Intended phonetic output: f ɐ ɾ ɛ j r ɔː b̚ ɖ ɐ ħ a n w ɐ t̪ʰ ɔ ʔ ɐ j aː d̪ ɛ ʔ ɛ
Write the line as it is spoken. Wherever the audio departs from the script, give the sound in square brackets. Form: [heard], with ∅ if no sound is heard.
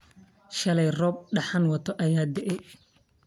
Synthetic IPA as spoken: [ʃ] ɐ [l] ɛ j r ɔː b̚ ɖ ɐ ħ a n w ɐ t̪ʰ ɔ ʔ ɐ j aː d̪ ɛ ʔ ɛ